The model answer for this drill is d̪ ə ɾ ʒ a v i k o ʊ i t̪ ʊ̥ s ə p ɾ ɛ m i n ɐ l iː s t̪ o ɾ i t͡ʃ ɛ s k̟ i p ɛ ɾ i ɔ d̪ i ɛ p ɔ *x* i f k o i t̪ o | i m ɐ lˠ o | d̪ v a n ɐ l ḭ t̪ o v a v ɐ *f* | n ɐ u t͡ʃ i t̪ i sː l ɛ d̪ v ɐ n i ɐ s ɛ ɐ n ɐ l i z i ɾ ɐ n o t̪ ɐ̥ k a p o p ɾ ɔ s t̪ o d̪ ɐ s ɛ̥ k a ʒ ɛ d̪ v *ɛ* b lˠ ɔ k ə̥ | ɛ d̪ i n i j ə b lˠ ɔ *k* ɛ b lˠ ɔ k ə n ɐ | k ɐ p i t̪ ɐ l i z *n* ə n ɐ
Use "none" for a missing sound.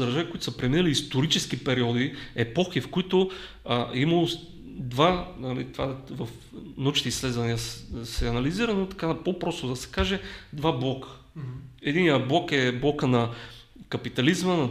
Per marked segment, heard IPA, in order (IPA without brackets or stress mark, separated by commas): x, f, a, k, m